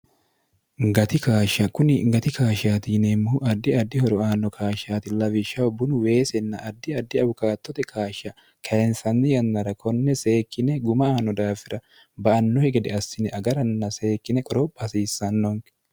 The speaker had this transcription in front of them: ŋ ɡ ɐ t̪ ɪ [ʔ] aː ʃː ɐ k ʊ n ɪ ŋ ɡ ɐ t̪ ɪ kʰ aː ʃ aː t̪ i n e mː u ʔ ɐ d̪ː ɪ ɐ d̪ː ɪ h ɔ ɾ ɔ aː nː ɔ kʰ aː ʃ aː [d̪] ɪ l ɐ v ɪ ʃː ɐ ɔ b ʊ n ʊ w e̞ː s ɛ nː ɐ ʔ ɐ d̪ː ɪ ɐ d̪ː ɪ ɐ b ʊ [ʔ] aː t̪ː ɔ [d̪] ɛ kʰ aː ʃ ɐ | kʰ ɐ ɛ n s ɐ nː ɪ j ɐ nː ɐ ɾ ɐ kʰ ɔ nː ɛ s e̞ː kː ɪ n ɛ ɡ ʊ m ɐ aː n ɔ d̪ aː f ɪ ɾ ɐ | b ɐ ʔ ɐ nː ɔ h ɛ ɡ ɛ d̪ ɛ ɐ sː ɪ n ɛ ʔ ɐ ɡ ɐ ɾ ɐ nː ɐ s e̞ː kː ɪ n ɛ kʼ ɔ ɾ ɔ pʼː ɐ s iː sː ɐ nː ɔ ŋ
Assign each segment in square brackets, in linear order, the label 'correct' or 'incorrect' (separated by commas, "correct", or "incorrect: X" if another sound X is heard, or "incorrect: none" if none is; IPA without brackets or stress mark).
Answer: incorrect: k, incorrect: t̪, incorrect: k, incorrect: t̪